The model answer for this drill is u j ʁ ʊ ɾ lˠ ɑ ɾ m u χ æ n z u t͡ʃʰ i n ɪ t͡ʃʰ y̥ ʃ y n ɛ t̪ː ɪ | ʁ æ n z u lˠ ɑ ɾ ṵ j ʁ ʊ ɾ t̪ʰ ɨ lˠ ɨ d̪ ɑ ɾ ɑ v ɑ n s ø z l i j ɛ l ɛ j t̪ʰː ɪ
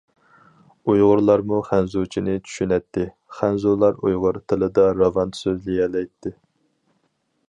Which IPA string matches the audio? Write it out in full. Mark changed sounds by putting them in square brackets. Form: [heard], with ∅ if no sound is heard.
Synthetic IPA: u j ʁ ʊ ɾ lˠ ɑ ɾ m u χ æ n z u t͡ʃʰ i n ɪ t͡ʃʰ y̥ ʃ y n ɛ t̪ː ɪ | [χ] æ n z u lˠ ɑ ɾ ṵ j ʁ ʊ ɾ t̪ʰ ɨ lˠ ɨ d̪ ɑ ɾ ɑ v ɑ n s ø z l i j ɛ l ɛ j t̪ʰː ɪ